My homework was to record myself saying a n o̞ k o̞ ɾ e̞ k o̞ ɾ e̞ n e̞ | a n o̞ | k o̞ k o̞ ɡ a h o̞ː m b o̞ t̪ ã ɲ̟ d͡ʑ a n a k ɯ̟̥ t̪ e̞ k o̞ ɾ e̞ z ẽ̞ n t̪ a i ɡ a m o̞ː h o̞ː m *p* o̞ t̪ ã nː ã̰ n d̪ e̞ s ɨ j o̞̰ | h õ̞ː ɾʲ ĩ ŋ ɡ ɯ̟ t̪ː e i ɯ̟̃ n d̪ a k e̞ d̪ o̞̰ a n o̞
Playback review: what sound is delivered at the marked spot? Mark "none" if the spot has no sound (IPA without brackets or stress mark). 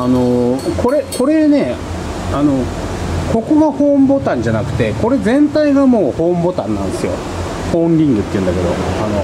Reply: b